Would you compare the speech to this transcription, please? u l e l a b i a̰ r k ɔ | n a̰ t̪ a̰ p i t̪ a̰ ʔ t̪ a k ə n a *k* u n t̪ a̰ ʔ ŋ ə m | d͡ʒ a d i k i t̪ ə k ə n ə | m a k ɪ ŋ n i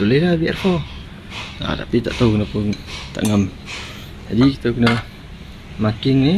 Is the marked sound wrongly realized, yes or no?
yes